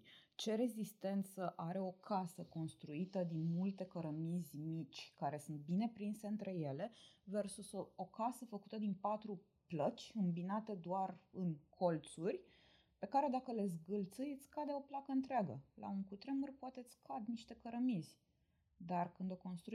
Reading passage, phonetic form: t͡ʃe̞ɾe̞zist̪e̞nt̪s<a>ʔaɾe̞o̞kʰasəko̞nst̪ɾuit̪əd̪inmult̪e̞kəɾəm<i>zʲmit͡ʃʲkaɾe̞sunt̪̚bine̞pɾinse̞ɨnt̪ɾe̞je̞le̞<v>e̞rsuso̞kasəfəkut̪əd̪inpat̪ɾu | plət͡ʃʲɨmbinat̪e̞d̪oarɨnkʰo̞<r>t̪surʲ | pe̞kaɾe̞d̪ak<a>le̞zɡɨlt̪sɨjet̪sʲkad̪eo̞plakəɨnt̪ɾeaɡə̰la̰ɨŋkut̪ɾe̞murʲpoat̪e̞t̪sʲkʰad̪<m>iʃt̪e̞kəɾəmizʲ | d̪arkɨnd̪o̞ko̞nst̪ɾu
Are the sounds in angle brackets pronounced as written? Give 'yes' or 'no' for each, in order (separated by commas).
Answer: no, yes, yes, no, no, no